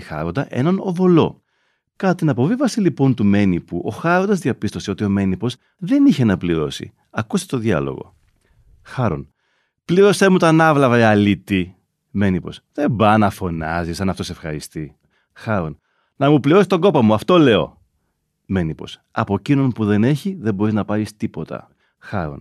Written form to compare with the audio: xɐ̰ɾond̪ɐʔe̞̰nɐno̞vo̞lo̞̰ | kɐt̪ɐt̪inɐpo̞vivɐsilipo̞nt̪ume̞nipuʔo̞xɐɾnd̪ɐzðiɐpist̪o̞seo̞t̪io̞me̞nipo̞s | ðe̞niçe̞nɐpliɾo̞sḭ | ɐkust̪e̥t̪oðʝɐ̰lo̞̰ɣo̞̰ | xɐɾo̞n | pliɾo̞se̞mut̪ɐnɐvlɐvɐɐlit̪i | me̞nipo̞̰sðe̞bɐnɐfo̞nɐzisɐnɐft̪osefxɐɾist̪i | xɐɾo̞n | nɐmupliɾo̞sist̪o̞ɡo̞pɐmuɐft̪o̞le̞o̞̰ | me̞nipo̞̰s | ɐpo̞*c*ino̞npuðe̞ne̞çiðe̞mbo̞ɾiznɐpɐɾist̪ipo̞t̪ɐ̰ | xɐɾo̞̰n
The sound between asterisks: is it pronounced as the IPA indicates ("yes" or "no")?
yes